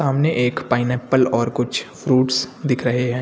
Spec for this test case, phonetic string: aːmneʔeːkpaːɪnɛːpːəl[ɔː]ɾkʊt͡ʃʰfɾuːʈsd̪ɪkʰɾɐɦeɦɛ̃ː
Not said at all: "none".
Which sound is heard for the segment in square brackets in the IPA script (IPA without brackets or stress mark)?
ɔː